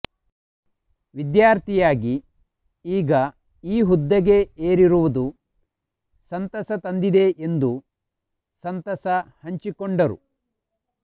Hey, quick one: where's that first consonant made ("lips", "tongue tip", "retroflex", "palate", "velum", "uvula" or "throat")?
lips